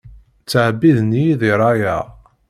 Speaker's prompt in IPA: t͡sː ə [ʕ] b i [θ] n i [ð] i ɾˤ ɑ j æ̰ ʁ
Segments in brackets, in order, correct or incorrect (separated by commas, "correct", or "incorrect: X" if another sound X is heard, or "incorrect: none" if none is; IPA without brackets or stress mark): correct, incorrect: ð, correct